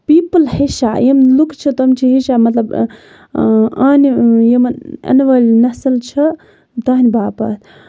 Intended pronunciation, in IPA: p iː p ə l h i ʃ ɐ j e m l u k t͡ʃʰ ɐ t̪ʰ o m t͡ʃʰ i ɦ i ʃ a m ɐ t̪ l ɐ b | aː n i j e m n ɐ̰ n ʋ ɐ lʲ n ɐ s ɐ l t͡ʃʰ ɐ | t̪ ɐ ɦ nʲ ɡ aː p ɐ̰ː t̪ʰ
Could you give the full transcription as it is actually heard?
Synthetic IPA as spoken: p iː p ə l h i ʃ a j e m l u k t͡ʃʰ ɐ t̪ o m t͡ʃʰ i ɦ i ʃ a m ɐ t̪ l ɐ b | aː n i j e m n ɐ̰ n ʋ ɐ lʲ n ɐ s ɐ l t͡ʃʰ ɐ | t̪ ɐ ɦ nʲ b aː p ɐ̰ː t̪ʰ